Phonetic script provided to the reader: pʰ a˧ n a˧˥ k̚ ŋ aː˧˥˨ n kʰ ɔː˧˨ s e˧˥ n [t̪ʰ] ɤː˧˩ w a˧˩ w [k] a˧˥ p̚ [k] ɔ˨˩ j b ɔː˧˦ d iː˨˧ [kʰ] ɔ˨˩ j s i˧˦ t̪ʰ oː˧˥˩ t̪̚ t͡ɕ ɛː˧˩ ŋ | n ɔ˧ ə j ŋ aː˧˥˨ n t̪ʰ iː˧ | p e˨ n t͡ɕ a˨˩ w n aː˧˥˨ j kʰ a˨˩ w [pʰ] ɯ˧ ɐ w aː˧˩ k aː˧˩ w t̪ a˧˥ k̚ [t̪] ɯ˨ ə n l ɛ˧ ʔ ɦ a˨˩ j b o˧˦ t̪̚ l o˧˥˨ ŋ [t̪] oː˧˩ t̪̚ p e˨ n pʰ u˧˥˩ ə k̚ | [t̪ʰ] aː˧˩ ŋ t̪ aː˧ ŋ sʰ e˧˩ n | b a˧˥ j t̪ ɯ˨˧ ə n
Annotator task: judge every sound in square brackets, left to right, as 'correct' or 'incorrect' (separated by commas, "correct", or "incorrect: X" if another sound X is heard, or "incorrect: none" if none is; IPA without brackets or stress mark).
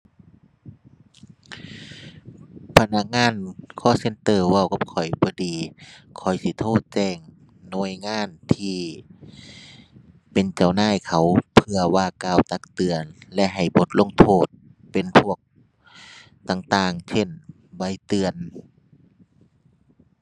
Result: incorrect: t̪, correct, incorrect: kʰ, correct, correct, correct, incorrect: t̪ʰ, incorrect: t̪